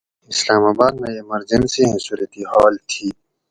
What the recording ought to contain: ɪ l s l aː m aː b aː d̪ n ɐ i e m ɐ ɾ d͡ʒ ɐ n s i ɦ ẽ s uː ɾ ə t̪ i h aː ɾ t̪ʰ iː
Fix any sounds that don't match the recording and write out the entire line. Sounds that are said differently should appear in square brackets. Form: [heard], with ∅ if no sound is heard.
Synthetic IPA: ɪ [∅] s l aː m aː b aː d̪ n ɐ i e m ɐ ɾ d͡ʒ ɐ n s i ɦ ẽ s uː ɾ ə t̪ i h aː [l] t̪ʰ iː